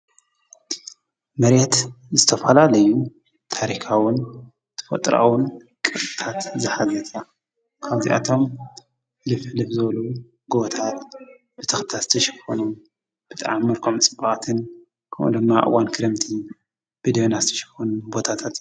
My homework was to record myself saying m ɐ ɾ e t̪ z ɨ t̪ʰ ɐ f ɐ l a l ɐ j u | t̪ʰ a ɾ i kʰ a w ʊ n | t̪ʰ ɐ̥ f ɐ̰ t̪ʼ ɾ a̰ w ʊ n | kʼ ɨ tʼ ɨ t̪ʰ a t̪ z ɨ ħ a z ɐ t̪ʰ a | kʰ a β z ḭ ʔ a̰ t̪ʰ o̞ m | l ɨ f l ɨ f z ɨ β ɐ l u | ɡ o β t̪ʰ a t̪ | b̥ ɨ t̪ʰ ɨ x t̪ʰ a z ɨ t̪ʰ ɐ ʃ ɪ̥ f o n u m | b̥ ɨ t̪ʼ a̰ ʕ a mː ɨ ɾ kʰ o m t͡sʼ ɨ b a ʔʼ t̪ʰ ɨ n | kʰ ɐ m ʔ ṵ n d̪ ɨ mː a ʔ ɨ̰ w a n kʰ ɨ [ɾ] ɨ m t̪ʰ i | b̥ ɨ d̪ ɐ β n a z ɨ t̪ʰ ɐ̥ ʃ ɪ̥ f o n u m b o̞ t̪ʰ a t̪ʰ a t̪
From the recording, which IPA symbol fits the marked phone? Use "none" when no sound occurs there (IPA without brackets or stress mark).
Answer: ɾ